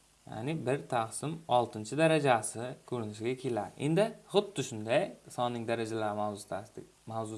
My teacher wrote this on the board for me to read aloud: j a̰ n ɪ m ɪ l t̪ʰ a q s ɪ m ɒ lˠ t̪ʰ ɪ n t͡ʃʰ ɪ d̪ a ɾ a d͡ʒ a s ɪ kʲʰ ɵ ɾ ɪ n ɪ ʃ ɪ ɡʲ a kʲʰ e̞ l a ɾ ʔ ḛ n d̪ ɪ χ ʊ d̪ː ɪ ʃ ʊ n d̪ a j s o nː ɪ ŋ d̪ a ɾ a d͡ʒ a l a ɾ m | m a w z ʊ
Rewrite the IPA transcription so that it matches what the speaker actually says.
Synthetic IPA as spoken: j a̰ n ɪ b ɪ ɾ t̪ʰ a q s ɪ m ɒ lˠ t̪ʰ ɪ n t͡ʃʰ ɪ d̪ a ɾ a d͡ʒ a s ɪ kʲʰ ɵ ɾ ɪ n ɪ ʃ ɪ ɡʲ a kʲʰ e̞ l a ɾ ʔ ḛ n d̪ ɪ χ ʊ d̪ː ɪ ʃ ʊ n d̪ a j s ɒ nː ɪ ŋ d̪ a ɾ a d͡ʒ a l a ɾ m | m a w z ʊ